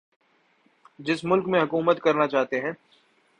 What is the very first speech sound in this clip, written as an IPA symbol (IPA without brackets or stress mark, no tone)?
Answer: d͡ʒ